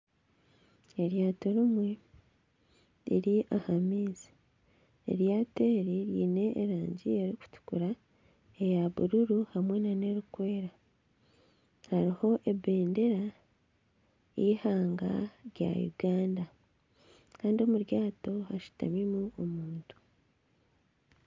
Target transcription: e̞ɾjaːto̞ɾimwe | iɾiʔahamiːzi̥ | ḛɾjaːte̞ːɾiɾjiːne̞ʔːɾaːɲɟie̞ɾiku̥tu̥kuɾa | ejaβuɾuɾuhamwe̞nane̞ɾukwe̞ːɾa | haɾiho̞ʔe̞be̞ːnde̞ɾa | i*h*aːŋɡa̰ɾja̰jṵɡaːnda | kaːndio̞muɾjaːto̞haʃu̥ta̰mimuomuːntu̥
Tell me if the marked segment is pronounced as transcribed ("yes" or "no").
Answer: yes